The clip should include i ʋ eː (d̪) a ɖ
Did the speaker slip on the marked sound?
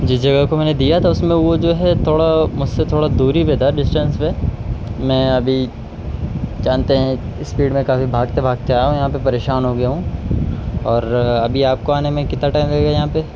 no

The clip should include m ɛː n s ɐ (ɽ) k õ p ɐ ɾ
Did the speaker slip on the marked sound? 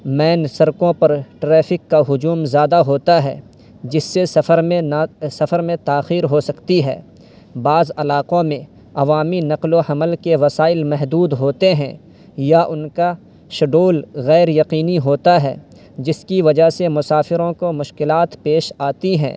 yes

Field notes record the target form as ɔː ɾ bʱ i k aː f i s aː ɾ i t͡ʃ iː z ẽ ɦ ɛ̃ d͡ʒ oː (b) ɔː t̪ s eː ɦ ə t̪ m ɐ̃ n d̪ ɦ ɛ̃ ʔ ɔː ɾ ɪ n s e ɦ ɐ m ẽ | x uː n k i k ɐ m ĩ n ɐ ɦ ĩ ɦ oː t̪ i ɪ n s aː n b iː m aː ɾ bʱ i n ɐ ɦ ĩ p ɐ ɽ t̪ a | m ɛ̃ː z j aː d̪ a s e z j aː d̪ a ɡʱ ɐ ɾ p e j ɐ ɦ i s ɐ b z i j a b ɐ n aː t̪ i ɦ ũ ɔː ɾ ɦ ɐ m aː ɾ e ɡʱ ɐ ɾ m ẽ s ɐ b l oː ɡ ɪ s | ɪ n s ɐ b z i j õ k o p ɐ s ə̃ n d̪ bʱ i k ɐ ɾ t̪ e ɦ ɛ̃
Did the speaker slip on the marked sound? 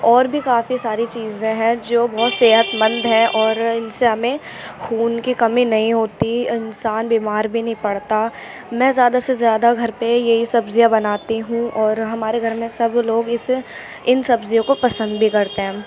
no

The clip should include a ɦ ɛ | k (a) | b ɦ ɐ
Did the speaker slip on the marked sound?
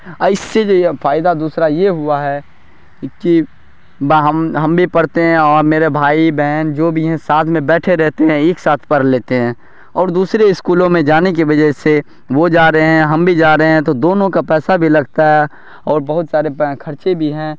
yes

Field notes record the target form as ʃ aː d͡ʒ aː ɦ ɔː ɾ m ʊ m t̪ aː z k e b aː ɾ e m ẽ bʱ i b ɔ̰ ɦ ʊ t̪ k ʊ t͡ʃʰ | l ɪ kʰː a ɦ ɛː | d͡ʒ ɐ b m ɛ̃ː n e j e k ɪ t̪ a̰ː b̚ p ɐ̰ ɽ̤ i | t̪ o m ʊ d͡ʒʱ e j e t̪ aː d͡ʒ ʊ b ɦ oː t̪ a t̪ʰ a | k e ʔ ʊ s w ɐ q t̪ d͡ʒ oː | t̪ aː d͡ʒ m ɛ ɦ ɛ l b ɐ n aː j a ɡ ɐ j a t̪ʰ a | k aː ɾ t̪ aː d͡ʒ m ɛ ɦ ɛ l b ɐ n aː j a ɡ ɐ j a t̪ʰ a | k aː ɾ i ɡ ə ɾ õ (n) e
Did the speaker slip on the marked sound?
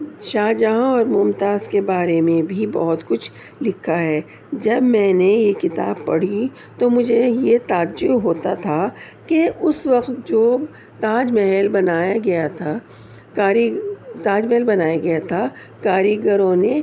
no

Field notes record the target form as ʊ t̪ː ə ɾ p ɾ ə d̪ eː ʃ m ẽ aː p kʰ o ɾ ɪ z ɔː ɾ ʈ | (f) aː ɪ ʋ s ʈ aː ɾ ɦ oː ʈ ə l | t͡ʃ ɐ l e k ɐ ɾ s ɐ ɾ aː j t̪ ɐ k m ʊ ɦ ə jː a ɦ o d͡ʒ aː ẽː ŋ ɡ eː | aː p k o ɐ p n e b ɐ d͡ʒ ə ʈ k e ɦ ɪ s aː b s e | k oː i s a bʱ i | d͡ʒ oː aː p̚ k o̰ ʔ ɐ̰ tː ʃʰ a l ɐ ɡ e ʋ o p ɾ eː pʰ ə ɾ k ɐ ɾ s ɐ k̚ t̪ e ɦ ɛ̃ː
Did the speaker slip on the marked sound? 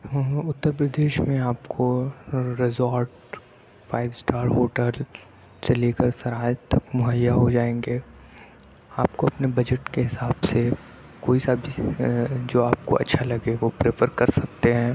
no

